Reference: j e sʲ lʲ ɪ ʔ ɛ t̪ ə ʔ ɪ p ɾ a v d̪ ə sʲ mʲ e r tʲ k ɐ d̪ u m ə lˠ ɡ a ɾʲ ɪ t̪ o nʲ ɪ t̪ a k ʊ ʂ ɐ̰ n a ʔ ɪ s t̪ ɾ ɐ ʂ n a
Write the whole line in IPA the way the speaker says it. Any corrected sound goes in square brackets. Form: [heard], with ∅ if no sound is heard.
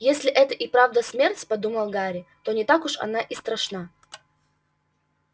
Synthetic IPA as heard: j e sʲ lʲ ɪ ʔ ɛ t̪ ə ʔ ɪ p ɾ a v d̪ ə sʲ mʲ e r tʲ [p] ɐ d̪ u m ə lˠ ɡ a ɾʲ ɪ t̪ o nʲ ɪ t̪ a k ʊ ʂ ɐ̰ n a ʔ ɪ s t̪ ɾ ɐ ʂ n a